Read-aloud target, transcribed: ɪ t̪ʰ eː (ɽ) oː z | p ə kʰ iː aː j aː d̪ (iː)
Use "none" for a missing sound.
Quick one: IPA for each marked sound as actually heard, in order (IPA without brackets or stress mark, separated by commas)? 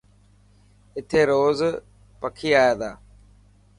ɾ, aː